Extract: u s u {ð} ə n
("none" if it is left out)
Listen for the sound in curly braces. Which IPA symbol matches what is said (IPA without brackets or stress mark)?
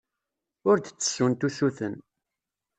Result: θ